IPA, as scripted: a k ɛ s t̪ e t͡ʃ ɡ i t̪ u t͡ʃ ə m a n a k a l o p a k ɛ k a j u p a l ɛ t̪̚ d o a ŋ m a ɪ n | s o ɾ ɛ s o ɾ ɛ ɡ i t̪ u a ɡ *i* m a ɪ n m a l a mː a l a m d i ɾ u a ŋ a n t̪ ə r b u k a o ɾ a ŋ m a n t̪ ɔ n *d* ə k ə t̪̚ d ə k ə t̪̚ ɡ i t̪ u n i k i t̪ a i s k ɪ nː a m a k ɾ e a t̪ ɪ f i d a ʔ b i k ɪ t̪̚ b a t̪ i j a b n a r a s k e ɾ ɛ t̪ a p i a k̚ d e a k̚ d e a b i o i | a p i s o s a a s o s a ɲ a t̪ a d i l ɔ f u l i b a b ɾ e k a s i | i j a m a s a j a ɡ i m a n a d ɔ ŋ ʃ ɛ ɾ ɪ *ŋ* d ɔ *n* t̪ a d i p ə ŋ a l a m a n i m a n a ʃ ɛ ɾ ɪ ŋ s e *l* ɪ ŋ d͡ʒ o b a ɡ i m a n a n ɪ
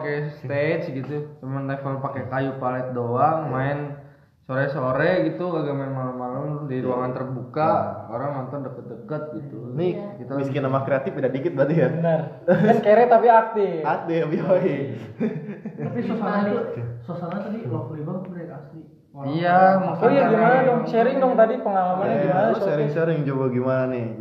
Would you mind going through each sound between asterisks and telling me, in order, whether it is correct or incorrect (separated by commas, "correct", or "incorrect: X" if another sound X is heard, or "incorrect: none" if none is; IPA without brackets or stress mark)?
incorrect: a, correct, correct, incorrect: ŋ, incorrect: ɾ